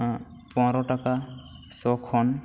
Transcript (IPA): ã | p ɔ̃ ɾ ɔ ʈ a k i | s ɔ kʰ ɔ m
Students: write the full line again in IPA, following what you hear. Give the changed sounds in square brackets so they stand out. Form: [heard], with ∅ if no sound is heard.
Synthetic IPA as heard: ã | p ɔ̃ ɾ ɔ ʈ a k [a] | s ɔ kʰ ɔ [n]